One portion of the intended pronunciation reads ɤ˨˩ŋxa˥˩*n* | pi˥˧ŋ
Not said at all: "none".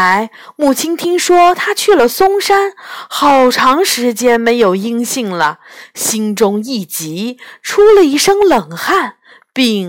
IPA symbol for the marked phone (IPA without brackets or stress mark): n